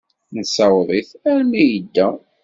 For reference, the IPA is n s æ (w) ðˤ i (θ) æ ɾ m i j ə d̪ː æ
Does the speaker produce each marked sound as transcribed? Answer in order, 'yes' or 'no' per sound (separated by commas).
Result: yes, yes